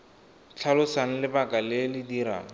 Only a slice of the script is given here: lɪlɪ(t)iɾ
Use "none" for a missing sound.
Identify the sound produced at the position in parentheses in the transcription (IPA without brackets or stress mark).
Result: d